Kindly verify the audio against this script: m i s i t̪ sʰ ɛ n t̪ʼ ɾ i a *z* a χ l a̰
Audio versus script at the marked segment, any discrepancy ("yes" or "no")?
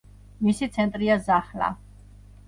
no